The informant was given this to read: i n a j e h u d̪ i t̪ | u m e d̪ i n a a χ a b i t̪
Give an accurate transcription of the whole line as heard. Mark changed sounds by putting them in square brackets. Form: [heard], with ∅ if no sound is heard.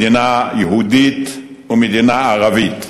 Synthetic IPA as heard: i n a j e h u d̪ i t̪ | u m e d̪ i n a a [ʁ] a [v] i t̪